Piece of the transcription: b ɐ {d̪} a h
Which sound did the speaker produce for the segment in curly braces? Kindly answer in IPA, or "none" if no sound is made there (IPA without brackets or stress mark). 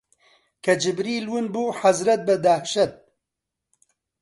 d̪